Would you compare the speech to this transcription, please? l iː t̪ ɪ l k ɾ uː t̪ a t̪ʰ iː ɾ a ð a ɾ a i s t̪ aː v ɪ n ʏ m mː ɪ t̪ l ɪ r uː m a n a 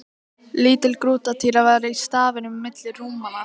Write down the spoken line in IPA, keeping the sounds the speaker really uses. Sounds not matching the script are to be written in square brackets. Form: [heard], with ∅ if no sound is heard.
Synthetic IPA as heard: l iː t̪ ɪ l k ɾ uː t̪ a t̪ʰ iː ɾ a [v] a ɾ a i s t̪ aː v ɪ n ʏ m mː ɪ t̪ l ɪ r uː m a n a